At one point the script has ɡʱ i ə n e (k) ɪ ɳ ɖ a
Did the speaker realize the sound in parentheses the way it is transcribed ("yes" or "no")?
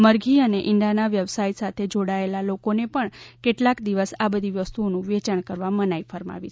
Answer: no